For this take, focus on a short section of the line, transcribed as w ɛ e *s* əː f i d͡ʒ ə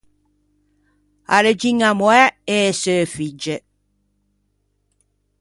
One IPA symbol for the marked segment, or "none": s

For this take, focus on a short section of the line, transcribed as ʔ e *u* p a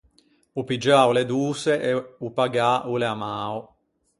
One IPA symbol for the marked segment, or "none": u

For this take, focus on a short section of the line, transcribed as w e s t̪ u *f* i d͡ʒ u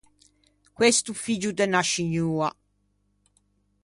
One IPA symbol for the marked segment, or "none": f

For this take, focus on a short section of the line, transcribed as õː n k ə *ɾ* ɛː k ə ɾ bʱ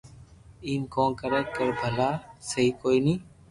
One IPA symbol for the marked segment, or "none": ɾ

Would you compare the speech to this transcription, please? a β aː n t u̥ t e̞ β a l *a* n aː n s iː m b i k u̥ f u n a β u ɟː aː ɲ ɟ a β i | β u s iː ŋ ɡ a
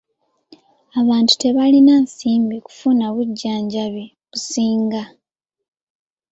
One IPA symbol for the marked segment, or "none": i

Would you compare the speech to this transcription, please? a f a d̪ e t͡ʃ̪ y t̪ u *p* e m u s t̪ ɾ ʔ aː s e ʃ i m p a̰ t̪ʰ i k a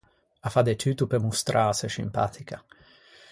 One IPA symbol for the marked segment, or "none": p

